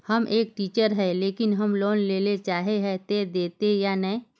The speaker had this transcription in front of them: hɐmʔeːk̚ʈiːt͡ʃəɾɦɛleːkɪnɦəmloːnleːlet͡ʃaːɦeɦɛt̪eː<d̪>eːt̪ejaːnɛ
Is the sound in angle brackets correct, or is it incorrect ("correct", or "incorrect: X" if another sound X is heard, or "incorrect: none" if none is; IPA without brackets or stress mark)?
correct